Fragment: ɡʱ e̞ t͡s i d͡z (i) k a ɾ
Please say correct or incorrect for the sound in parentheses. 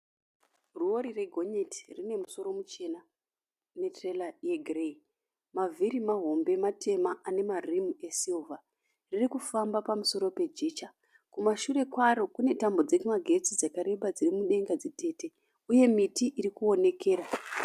incorrect